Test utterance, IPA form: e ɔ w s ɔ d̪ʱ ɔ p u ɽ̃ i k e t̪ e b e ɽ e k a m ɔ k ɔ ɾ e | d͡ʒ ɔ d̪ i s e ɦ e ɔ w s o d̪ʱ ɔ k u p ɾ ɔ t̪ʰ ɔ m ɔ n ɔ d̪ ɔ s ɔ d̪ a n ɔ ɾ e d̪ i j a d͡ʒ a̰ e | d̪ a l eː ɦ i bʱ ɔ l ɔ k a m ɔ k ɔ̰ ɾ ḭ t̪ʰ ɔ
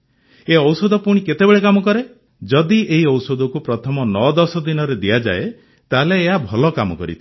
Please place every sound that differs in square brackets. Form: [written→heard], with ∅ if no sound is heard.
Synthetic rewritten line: e ɔ w s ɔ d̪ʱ ɔ p u ɽ̃ i k e t̪ e b e [ɽ→ɭ] e k a m ɔ k ɔ ɾ e | d͡ʒ ɔ d̪ i [s→∅] e ɦ [e→i] ɔ w s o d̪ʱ ɔ k u p ɾ ɔ t̪ʰ ɔ m ɔ n ɔ d̪ ɔ s ɔ d̪ [a→i] n ɔ ɾ e d̪ i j a d͡ʒ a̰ e | [d̪→t̪] a l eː ɦ [i→a] bʱ ɔ l ɔ k a m ɔ k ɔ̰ ɾ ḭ t̪ʰ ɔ